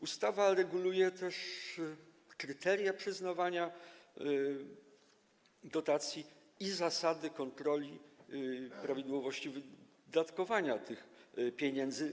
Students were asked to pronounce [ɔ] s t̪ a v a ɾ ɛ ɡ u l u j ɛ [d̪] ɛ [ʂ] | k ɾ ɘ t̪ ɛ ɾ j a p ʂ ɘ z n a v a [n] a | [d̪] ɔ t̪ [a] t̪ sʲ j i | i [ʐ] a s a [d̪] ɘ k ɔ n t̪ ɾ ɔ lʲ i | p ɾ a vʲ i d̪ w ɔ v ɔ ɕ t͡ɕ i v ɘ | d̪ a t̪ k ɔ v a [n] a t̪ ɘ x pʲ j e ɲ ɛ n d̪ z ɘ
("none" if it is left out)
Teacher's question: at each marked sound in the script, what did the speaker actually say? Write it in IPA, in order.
u, t̪, ʂ, ɲ, d̪, a, z, d̪, ɲ

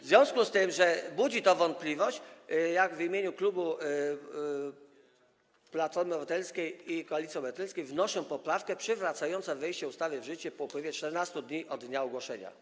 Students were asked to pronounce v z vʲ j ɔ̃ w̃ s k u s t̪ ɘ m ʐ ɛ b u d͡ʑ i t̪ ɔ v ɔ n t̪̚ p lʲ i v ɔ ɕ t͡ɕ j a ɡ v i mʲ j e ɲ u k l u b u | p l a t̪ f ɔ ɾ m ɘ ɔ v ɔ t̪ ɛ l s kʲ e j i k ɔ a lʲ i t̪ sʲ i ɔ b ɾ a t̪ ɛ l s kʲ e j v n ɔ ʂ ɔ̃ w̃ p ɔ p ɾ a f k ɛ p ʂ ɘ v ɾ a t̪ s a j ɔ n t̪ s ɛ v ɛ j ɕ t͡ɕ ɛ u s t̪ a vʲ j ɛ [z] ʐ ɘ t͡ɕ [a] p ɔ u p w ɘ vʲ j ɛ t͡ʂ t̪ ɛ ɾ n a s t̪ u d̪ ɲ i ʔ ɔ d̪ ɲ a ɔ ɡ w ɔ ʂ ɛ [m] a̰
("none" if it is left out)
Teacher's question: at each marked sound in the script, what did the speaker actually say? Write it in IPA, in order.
v, ɛ, ɲ

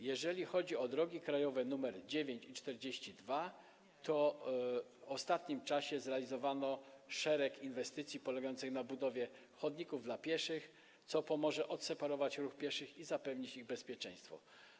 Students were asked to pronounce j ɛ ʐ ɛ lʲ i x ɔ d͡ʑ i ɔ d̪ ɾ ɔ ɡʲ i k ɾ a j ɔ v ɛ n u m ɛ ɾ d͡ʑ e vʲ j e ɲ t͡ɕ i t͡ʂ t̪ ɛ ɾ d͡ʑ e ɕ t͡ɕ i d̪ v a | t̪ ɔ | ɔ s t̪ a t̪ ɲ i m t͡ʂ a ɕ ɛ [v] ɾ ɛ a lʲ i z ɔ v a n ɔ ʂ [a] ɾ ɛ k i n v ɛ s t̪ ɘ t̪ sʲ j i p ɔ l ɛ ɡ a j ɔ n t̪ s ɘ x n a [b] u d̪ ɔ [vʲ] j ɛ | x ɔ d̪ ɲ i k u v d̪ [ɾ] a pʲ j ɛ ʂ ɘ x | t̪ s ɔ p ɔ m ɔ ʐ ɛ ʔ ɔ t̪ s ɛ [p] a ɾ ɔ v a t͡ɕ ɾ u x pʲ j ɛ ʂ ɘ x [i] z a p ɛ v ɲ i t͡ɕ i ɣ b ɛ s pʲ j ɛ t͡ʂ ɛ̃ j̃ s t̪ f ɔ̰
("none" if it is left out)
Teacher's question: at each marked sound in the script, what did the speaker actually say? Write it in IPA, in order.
z, ɛ, b, vʲ, l, p, i

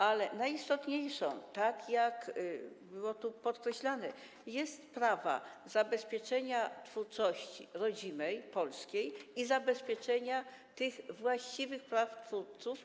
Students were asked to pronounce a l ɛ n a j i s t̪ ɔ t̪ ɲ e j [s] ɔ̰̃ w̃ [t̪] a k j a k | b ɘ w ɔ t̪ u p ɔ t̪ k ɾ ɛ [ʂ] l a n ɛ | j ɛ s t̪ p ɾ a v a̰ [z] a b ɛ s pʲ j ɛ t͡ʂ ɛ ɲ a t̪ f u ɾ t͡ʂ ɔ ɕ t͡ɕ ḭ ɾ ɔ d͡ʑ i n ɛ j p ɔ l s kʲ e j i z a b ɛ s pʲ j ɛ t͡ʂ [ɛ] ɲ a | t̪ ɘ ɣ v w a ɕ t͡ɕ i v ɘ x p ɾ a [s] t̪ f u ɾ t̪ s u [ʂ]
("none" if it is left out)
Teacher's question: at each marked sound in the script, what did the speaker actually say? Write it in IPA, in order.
ʂ, t̪, ɕ, z, ɛ, f, f

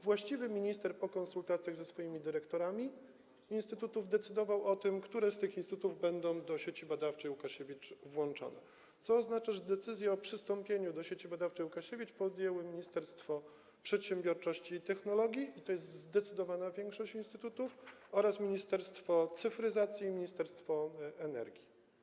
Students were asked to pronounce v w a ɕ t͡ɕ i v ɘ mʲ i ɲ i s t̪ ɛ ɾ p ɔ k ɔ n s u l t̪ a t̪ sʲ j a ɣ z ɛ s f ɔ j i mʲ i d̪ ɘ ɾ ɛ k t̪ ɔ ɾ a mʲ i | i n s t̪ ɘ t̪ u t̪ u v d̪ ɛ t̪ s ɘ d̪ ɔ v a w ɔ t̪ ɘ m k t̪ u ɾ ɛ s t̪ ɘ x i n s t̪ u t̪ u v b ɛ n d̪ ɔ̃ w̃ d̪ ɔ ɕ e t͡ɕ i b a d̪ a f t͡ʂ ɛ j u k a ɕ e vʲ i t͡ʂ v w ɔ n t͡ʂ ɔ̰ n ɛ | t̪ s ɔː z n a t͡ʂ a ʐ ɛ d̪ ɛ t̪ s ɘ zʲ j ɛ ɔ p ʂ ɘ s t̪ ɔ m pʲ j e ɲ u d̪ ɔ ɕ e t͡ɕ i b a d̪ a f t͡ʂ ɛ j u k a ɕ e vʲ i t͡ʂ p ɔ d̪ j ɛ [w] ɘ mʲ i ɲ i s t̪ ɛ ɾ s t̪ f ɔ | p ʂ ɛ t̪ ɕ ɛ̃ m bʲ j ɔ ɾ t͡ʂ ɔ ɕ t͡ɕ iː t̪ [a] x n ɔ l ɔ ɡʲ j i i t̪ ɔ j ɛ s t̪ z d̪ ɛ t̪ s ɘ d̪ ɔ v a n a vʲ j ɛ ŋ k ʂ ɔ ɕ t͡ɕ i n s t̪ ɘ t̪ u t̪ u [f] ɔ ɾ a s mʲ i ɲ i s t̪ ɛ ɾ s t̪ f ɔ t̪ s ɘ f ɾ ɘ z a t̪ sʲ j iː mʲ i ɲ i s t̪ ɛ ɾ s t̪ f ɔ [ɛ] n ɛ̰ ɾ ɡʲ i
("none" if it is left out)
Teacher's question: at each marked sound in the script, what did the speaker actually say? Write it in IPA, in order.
w, ɛ, f, ɛ

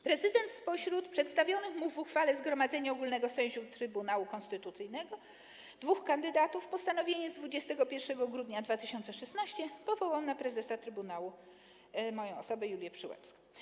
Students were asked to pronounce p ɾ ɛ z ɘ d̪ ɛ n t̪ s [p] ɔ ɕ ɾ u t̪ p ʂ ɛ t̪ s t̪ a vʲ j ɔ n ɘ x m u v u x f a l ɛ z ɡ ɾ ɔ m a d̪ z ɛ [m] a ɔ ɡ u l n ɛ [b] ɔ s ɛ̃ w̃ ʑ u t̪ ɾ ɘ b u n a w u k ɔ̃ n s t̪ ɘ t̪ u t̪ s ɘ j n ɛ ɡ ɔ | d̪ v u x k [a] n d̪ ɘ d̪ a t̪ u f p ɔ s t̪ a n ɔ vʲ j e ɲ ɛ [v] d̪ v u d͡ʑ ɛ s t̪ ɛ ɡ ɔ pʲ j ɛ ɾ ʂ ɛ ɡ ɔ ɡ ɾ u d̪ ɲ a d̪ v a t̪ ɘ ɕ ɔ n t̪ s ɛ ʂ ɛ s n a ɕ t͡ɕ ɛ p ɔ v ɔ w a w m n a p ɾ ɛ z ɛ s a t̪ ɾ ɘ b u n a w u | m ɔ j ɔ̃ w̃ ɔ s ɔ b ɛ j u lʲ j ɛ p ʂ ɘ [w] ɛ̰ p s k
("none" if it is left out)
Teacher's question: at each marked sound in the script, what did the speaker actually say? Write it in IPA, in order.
p, ɲ, ɡ, a, z, w

